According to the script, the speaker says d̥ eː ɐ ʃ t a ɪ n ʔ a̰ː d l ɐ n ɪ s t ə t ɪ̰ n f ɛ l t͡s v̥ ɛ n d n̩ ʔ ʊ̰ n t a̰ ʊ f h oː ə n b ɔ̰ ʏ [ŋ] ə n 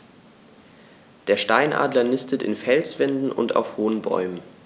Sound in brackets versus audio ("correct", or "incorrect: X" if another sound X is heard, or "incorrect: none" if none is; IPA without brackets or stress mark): incorrect: m